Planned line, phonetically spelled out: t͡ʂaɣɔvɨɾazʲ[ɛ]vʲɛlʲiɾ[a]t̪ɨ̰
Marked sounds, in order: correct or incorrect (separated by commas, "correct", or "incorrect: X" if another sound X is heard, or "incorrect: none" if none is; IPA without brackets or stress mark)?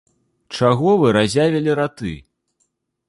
incorrect: a, correct